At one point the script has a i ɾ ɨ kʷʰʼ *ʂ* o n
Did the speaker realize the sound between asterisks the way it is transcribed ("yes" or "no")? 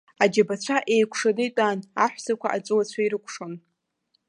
yes